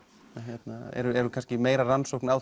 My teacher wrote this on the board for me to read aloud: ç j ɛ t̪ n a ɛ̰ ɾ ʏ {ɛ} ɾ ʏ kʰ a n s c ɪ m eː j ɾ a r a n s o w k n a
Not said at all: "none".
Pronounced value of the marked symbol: ɛ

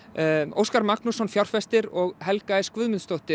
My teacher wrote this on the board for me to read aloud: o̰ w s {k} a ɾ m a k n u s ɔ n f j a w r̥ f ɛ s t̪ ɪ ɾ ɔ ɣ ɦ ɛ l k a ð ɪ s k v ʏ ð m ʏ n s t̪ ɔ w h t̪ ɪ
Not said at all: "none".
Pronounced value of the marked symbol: k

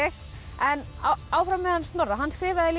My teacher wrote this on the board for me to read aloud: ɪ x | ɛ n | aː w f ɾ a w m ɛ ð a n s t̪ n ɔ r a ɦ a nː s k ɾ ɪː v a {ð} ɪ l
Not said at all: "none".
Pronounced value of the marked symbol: ð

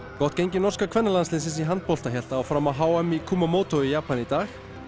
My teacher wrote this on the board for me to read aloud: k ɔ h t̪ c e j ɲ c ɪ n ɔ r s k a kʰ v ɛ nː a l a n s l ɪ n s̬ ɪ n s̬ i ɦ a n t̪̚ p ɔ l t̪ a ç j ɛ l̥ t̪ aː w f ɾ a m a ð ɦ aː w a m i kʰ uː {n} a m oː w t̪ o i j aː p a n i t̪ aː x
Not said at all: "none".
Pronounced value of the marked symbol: m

